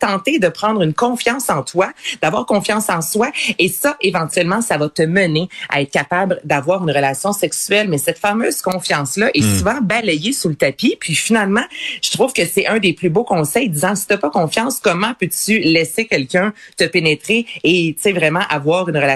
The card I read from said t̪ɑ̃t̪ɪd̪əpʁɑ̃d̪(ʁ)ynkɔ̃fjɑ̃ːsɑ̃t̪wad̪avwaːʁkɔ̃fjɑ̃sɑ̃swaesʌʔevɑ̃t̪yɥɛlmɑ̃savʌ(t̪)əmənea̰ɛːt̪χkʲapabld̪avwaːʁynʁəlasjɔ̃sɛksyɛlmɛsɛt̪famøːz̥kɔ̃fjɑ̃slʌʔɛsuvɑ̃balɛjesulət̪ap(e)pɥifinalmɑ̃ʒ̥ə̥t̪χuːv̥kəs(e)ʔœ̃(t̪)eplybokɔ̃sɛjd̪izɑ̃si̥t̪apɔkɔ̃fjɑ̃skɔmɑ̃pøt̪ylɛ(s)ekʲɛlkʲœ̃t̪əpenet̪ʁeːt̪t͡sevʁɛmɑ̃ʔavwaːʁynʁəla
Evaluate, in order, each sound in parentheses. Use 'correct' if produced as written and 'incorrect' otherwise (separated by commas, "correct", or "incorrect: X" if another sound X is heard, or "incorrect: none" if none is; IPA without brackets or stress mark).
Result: correct, correct, incorrect: i, incorrect: ɛ, incorrect: d̪, correct